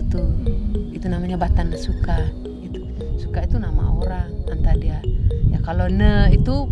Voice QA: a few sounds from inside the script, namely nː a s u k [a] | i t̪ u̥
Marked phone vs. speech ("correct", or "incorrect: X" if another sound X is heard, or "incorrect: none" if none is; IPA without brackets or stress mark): correct